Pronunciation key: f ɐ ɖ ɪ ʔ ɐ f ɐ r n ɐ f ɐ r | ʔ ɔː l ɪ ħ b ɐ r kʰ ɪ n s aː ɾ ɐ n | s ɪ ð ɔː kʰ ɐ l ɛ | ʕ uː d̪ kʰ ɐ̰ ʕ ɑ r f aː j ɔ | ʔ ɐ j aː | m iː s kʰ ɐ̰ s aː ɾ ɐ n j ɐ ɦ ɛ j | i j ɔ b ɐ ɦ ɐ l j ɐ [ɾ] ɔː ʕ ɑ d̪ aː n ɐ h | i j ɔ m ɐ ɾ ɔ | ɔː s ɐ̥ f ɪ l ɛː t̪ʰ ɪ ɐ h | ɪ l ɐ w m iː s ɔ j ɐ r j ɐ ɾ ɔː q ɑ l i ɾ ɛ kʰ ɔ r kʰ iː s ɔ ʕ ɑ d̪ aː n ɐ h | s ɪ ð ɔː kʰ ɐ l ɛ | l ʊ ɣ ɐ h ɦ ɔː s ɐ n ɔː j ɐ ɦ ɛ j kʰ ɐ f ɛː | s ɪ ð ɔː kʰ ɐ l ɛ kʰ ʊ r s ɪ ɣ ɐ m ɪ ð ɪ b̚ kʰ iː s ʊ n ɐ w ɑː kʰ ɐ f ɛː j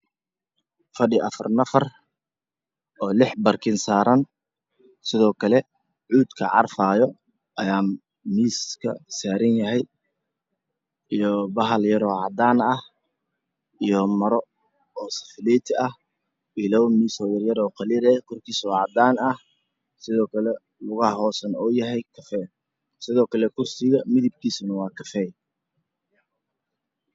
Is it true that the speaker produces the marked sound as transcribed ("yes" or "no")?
yes